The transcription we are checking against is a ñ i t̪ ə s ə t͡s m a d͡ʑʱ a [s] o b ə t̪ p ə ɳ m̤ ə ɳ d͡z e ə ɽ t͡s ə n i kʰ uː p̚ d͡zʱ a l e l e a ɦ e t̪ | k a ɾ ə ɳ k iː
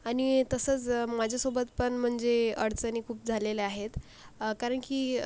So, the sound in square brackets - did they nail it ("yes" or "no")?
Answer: yes